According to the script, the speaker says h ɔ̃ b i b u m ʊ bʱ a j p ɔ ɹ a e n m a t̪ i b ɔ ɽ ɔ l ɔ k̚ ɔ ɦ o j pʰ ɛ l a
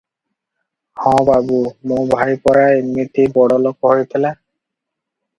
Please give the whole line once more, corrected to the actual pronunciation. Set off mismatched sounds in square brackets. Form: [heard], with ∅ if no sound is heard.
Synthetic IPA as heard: h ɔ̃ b [a] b u m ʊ bʱ a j p ɔ ɹ a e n m [i] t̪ i b ɔ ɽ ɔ l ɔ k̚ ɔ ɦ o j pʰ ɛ l a

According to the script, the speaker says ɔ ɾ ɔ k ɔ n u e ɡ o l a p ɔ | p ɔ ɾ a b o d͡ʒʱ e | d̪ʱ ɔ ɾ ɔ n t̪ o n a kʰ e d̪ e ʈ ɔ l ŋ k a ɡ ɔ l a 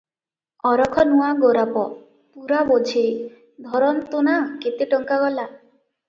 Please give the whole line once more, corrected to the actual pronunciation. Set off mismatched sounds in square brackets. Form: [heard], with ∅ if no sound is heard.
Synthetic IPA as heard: ɔ ɾ ɔ [kʰ] ɔ n u [a] ɡ o [ɾ] a p ɔ | p [u] ɾ a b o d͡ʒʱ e | d̪ʱ ɔ ɾ ɔ n t̪ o n a [k] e [t̪] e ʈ ɔ [∅] ŋ k a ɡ ɔ l a

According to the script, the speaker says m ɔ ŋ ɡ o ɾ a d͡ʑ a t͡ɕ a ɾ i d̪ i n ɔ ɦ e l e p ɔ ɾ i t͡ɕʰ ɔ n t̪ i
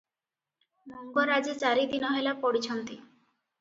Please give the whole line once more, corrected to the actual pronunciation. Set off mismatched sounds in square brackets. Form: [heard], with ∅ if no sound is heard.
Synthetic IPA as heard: m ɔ ŋ ɡ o ɾ a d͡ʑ [i] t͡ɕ a ɾ i d̪ i n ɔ ɦ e l [a] p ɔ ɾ i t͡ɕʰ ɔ n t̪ i

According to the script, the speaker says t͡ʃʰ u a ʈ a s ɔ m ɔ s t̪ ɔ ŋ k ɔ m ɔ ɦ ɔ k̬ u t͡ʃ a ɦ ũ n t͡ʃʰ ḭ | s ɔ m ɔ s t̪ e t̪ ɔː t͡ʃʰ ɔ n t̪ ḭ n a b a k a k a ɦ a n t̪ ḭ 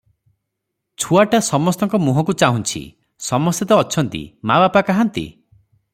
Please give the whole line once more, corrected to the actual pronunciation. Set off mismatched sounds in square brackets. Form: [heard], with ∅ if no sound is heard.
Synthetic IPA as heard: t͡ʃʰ u a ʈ a s ɔ m ɔ s t̪ ɔ ŋ k ɔ m [u] ɦ ɔ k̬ u t͡ʃ a ɦ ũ n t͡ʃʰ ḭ | s ɔ m ɔ s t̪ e t̪ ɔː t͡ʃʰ ɔ n t̪ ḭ [m] a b a [p] a k a ɦ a n t̪ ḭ

